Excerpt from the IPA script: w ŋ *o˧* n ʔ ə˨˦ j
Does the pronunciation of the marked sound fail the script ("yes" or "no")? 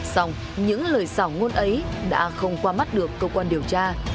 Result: no